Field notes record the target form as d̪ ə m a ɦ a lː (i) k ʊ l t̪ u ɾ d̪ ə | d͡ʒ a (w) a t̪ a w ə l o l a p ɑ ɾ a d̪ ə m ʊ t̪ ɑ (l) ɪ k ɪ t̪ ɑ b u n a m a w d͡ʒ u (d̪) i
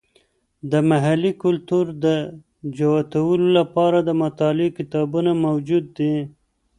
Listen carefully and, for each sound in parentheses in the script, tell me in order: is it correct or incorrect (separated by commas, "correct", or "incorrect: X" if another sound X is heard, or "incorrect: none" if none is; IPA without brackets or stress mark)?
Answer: correct, correct, correct, incorrect: d̪ː